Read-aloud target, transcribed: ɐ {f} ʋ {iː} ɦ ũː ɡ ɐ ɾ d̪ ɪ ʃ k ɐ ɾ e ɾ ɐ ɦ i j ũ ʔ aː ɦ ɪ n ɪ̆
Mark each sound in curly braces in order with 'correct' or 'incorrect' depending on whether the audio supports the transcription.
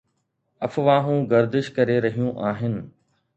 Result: correct, incorrect

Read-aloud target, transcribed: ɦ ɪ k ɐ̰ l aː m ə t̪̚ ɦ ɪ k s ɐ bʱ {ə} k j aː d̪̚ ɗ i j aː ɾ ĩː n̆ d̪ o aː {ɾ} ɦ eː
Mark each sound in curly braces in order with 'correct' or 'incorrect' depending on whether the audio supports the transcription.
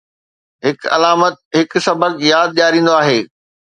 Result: correct, incorrect

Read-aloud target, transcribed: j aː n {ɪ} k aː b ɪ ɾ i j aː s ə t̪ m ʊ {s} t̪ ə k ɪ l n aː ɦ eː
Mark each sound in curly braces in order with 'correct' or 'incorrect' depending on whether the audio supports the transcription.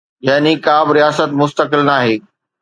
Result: incorrect, correct

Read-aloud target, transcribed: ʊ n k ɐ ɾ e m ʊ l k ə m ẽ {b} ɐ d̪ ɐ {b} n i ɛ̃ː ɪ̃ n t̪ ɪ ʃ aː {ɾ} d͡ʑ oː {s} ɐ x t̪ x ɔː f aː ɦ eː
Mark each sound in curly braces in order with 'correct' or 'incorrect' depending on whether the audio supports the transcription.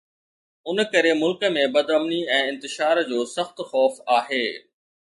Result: correct, incorrect, correct, correct

